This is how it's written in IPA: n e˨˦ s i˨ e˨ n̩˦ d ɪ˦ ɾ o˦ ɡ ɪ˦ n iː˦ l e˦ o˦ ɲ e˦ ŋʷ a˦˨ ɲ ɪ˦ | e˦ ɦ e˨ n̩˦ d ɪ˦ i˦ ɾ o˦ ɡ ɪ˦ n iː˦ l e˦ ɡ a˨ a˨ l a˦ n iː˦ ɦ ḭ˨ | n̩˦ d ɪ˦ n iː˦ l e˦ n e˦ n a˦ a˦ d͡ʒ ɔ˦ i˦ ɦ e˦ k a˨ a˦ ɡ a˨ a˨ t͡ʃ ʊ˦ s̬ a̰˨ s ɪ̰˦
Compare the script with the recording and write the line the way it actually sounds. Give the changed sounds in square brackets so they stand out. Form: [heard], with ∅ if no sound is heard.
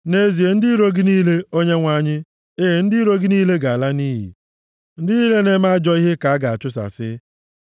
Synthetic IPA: n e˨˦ [z] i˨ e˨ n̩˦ d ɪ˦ ɾ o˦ ɡ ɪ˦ n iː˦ l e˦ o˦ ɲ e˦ ŋʷ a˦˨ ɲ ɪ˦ | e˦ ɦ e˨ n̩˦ d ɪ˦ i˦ ɾ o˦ ɡ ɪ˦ n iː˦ l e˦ ɡ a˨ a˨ l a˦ n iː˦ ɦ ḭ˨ | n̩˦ d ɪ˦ n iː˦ l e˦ n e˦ [m] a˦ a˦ d͡ʒ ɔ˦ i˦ ɦ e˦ k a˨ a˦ ɡ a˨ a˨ t͡ʃ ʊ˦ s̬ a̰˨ s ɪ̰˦